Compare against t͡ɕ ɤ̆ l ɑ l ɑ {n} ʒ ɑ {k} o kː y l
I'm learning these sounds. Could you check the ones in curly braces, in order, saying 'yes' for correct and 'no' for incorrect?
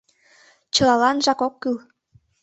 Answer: yes, yes

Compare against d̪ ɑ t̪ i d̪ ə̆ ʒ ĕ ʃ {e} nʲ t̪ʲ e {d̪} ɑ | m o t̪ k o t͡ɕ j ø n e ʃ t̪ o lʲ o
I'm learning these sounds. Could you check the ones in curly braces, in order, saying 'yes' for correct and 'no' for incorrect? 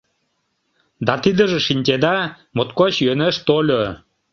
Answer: no, yes

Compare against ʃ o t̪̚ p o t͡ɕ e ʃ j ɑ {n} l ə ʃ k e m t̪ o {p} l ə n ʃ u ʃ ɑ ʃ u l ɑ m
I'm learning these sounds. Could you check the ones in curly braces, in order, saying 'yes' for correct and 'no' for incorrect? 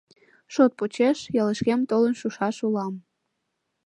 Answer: no, no

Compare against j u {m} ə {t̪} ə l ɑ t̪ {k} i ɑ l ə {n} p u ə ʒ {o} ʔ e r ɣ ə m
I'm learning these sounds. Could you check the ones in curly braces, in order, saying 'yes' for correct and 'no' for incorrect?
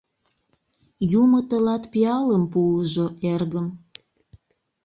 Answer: yes, yes, no, no, yes

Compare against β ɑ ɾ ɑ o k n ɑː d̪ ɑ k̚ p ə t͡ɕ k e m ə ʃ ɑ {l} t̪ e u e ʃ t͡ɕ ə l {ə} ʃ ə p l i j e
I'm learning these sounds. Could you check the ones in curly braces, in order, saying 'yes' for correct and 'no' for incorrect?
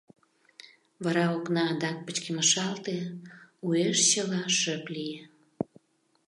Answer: yes, no

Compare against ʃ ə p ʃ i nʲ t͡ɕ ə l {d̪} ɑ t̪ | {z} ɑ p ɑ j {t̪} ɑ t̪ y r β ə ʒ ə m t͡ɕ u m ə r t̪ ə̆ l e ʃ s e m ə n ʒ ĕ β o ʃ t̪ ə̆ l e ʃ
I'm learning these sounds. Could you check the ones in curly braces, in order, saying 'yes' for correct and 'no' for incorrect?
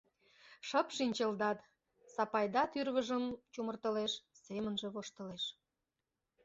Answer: yes, no, no

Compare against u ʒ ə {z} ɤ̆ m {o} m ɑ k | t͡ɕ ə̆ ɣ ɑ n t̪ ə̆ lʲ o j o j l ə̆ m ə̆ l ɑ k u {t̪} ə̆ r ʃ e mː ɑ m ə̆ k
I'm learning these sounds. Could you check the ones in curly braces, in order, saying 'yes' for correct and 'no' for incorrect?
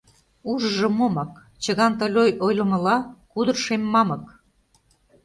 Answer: no, yes, no

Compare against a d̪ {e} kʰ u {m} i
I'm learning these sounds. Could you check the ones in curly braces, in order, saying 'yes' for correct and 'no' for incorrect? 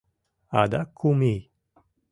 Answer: no, yes

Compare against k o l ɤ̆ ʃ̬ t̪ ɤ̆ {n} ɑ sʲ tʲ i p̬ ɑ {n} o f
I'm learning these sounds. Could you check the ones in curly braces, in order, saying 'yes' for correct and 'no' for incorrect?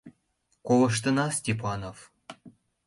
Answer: yes, yes

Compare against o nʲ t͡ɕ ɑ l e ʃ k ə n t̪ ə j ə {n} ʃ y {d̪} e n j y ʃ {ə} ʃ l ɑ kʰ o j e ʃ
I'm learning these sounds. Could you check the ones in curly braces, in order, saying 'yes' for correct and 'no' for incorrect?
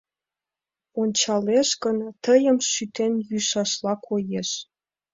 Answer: no, no, no

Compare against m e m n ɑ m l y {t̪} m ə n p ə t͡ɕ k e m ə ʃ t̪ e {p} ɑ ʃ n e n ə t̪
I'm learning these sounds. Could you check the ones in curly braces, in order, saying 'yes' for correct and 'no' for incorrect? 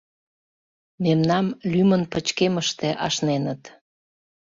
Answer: no, no

